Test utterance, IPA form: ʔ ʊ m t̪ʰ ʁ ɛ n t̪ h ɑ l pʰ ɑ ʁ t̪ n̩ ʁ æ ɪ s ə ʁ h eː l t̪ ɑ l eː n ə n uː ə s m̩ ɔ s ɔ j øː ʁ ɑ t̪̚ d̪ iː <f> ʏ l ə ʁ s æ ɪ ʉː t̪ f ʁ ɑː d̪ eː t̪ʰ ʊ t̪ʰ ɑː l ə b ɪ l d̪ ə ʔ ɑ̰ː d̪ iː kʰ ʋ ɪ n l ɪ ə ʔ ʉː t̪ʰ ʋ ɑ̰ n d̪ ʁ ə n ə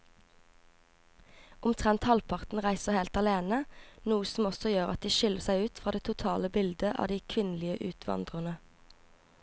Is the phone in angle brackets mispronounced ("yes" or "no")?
yes